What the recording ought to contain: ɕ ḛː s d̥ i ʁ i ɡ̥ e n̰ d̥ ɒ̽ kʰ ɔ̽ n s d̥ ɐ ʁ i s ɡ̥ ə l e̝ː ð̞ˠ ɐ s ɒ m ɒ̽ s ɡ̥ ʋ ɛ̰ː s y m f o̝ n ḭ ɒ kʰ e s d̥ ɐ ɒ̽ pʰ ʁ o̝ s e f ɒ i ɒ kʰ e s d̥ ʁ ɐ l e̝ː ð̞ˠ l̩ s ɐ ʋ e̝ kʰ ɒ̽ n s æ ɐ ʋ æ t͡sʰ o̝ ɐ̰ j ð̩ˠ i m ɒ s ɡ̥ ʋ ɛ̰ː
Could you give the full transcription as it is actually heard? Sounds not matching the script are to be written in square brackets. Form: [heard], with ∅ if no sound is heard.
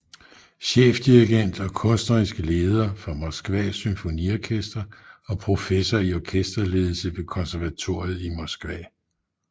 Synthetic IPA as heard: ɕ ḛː [f] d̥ i ʁ i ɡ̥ e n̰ d̥ ɒ̽ kʰ ɔ̽ n s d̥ ɐ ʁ i s ɡ̥ ə l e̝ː ð̞ˠ ɐ [f] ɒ m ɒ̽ s ɡ̥ ʋ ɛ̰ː s y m f o̝ n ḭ ɒ kʰ e s d̥ ɐ ɒ̽ pʰ ʁ o̝ [f] e [s] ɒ i ɒ kʰ e s d̥ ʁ ɐ l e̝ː ð̞ˠ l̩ s [ə] ʋ e̝ kʰ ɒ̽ n s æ ɐ ʋ æ t͡sʰ o̝ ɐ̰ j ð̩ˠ i m ɒ s ɡ̥ ʋ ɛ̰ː